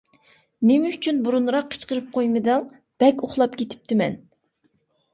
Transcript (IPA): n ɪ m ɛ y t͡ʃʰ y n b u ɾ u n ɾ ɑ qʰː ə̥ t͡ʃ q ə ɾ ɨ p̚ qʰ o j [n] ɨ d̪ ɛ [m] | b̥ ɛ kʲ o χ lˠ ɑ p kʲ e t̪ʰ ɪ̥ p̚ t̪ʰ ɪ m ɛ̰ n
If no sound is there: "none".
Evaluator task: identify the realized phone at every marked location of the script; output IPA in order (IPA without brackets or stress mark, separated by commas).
m, ŋ